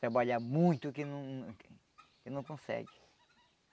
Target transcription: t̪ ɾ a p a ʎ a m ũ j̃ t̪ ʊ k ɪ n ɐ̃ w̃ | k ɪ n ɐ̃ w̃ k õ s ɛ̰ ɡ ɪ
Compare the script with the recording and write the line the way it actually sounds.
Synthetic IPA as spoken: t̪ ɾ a b a ʎ a m ũ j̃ t̪ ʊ k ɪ n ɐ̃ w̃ | k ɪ n ɐ̃ w̃ k õ s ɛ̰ ɡ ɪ